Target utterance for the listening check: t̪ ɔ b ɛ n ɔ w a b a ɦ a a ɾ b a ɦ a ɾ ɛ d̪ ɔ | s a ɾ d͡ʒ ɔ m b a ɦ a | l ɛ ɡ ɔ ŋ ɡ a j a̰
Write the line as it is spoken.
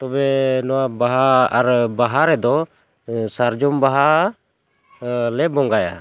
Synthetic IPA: t̪ ɔ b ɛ n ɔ w a b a ɦ a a ɾ b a ɦ a ɾ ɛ d̪ ɔ | s a ɾ d͡ʒ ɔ m b a ɦ a | l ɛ b ɔ ŋ ɡ a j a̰